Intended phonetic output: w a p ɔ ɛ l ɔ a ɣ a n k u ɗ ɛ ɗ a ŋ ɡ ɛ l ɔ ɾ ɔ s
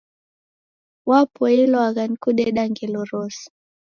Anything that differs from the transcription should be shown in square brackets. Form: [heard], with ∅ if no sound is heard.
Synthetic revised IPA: w a p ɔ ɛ l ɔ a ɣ a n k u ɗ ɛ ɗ a ŋ ɡ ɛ l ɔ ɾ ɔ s